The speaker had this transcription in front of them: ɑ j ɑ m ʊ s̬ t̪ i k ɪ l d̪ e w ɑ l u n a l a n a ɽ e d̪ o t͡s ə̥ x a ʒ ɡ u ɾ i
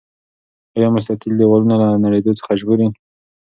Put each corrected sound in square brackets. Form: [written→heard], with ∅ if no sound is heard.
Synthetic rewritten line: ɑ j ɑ m ʊ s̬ t̪ [i→a] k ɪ l d̪ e w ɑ l u n a l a n a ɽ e d̪ o t͡s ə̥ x a ʒ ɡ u ɾ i